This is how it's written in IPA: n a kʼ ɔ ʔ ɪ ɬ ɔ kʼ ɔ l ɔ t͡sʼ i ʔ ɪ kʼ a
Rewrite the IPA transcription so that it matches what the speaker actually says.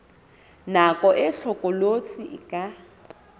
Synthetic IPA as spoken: n a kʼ ɔ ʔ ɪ ɬ ɔ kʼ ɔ l o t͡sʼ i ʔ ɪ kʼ a